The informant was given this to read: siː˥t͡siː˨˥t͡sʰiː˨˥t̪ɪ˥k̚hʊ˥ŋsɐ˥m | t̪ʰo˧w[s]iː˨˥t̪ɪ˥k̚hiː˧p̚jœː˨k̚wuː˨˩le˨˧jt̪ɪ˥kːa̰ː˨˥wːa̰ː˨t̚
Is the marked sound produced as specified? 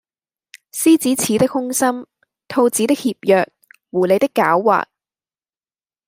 no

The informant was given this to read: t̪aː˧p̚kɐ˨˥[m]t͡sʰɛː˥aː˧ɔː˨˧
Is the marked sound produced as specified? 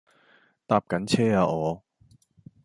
no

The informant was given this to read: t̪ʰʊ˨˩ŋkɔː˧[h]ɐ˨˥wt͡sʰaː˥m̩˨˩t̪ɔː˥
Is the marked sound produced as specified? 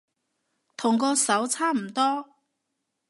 no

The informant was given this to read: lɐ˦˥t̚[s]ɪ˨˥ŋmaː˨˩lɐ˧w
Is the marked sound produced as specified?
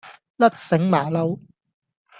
yes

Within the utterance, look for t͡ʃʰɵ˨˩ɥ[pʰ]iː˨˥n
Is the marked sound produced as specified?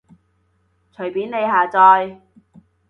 no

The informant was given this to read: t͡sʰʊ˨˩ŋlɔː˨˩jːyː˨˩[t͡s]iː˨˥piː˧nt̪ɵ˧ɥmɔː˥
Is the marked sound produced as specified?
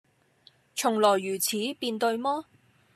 no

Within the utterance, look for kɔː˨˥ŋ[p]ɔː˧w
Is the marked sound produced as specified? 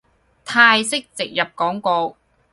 no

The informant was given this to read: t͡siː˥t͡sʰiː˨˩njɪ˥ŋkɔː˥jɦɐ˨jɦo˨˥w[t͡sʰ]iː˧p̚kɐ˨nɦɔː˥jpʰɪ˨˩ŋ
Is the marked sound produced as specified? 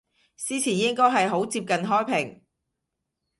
no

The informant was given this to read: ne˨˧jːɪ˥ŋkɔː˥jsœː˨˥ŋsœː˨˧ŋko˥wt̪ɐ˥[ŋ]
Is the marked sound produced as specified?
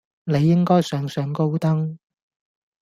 yes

